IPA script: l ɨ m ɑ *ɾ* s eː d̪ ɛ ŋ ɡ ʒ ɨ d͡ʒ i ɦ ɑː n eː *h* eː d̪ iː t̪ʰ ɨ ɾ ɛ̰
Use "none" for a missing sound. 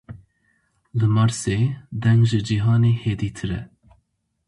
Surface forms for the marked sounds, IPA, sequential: ɾ, h

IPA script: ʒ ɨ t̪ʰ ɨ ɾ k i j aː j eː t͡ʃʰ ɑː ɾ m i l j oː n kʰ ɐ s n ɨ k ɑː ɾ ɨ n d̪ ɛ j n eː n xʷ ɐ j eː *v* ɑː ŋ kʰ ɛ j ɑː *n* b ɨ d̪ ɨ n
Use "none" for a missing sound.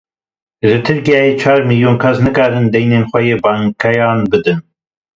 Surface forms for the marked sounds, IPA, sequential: b, n

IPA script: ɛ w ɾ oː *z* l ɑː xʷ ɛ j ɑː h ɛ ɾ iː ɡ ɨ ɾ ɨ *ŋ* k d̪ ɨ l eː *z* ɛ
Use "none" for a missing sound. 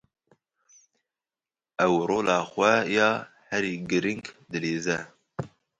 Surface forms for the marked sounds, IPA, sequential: none, ŋ, z

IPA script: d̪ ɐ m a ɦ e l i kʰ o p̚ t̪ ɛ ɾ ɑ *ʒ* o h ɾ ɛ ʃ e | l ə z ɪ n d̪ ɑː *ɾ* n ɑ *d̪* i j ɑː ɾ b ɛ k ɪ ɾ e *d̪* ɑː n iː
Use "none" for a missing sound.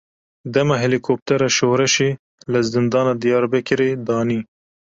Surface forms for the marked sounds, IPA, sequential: ʃ, none, d̪, d̪

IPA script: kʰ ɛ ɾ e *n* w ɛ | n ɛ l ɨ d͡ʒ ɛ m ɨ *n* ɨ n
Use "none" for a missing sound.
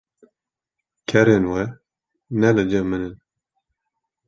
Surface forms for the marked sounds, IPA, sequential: n, n

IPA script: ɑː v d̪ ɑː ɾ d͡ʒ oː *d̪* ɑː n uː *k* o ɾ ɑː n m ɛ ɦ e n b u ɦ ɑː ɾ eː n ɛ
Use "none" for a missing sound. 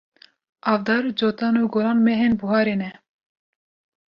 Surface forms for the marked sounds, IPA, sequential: t̪, ɡ

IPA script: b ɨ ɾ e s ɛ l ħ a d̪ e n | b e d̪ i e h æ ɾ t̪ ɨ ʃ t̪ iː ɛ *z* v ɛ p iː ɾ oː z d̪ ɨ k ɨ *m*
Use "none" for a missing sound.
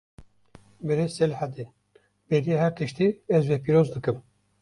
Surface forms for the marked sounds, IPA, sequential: z, m

